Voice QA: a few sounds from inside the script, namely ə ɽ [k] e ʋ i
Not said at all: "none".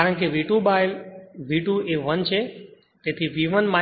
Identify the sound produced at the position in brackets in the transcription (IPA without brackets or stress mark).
k